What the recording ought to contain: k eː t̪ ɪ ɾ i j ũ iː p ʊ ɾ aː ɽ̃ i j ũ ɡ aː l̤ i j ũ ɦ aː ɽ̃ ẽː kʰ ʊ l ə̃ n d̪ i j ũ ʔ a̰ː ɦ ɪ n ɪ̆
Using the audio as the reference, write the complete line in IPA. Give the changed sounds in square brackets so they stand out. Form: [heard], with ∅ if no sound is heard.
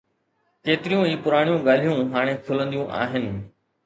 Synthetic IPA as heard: k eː t̪ ɪ ɾ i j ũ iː p ʊ ɾ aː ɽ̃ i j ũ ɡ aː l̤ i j ũ ɦ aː ɽ̃ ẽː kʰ ʊ l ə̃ n d̪ i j ũ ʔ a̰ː ɦ ɪ n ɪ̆